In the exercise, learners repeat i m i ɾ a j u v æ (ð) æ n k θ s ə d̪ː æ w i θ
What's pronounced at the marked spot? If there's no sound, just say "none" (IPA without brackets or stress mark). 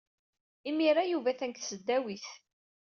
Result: θ